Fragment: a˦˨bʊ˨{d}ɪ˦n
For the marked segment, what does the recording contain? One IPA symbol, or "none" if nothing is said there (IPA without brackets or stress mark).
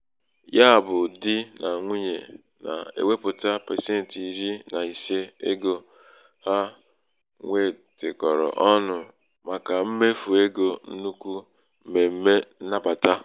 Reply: d